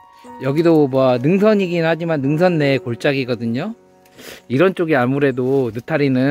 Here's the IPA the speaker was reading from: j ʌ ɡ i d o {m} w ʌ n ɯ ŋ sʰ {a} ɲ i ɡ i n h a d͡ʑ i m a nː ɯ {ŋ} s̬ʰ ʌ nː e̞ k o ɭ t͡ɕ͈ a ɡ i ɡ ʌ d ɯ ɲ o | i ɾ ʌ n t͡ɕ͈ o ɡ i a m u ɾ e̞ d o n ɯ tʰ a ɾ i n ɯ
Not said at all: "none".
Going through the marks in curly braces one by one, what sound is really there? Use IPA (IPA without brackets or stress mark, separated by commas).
m, ʌ, ŋ